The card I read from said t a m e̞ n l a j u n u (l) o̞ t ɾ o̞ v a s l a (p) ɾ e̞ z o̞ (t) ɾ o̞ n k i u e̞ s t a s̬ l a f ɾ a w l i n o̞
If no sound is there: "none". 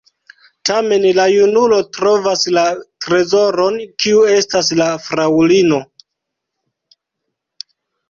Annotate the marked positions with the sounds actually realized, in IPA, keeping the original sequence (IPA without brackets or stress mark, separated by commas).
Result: l, t, none